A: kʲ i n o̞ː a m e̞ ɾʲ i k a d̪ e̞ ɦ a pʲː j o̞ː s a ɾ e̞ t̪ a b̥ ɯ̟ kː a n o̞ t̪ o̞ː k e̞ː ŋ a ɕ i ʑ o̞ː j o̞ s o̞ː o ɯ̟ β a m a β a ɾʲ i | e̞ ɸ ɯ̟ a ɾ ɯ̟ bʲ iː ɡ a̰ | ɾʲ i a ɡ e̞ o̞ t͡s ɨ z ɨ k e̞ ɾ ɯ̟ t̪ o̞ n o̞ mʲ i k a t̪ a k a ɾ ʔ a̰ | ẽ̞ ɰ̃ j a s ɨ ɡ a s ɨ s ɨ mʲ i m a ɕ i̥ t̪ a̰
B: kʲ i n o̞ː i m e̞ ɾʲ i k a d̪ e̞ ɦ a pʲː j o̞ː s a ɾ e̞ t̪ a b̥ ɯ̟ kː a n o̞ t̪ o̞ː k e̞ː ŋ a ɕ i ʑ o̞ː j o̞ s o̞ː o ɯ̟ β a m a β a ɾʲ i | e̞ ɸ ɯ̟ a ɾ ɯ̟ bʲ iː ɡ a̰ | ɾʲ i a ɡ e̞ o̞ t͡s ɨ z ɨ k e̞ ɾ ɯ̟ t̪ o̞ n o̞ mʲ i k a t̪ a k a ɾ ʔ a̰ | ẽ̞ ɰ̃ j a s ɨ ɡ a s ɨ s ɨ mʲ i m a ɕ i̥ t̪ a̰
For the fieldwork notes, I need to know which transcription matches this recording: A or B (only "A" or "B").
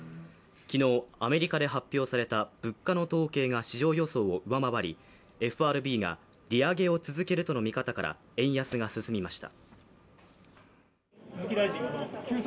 A